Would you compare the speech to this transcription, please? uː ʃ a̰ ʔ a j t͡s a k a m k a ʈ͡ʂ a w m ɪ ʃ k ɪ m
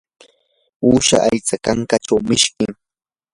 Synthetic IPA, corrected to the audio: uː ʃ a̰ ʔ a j t͡s a k a ŋ k a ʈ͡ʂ a w m ɪ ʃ k ɪ ŋ